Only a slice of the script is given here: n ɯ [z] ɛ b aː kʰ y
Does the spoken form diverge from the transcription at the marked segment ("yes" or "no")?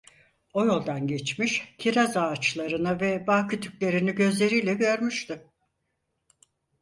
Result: yes